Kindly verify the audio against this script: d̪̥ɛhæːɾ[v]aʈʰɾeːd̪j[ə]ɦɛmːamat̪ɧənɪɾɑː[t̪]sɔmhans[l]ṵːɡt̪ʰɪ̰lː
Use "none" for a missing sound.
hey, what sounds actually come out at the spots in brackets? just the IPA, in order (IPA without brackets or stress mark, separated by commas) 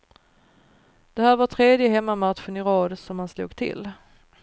v, ə, d̪, l